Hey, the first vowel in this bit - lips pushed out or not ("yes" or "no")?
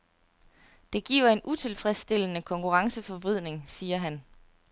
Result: no